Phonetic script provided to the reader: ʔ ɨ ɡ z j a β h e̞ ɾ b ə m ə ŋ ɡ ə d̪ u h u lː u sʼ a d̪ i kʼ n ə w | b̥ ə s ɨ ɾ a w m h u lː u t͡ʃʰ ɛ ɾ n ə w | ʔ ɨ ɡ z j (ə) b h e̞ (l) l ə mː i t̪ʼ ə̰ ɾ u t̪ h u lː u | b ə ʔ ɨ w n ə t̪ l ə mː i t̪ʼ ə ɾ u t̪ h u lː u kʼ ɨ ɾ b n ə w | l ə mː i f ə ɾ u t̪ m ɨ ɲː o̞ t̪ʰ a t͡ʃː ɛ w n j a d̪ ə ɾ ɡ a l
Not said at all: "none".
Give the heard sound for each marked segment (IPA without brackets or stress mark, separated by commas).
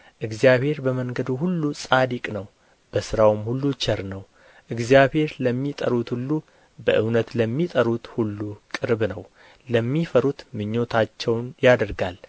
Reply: a, ɾ